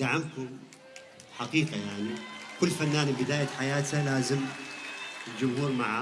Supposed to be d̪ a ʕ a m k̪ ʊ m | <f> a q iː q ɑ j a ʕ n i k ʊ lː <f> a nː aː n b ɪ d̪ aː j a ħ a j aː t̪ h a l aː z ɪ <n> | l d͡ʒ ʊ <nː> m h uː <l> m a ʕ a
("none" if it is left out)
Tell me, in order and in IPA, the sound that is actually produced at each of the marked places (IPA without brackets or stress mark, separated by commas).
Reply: ħ, f, m, none, ɾ